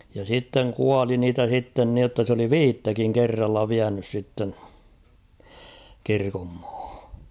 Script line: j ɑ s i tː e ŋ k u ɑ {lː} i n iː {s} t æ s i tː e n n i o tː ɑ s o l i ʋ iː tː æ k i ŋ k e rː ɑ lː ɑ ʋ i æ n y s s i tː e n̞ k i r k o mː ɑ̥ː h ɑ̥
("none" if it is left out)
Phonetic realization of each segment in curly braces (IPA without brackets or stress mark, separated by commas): l, none